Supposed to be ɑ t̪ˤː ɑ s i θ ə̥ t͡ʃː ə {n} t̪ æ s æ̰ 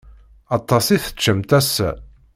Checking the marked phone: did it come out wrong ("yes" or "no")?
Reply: yes